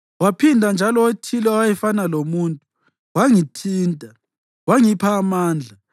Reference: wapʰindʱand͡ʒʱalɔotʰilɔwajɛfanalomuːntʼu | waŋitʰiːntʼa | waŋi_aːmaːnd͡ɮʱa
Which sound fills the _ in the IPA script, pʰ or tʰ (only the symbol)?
pʰ